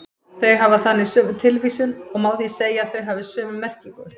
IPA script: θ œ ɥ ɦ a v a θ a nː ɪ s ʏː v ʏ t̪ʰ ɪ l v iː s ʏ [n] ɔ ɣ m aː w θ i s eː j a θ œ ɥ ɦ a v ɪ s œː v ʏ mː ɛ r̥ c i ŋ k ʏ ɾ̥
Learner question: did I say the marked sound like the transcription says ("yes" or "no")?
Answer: yes